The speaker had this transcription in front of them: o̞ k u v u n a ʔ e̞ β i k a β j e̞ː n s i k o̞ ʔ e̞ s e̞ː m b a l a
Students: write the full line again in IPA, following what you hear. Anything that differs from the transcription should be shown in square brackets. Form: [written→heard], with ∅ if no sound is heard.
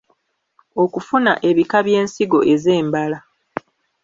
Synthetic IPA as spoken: o̞ k u [v→f] u n a ʔ e̞ β i k a β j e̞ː n s i [k→ɡ] o̞ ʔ e̞ [s→z] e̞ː m b a l a